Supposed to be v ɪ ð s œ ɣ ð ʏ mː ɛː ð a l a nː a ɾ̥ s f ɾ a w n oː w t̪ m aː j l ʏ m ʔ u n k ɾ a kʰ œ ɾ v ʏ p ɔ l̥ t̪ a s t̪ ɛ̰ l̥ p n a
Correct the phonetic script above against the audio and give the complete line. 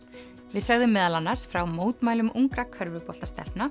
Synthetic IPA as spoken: v ɪ ð s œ ɣ ð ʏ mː ɛː ð a l a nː a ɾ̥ s f ɾ a w m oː w t̪ m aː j l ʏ m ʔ u ŋ k ɾ a kʰ œ ɾ v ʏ p ɔ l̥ t̪ a s t̪ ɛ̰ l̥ p n a